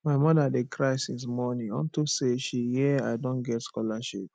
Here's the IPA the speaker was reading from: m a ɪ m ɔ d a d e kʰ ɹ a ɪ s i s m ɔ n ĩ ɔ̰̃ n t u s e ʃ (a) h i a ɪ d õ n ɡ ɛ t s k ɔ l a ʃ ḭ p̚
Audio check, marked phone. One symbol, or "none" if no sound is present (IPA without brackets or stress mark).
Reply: i